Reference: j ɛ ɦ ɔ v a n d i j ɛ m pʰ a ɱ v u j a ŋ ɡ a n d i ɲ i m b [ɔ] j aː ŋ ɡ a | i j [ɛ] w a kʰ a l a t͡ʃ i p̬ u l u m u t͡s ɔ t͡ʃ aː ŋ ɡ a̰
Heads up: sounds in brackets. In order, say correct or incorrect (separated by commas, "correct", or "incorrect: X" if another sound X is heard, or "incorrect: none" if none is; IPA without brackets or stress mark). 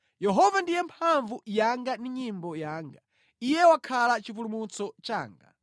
correct, correct